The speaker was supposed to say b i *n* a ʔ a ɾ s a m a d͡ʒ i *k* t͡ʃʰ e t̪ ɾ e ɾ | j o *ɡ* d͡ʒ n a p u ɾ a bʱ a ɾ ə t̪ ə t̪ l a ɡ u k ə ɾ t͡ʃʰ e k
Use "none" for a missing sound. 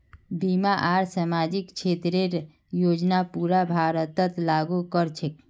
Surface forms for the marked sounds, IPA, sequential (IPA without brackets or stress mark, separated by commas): m, k, none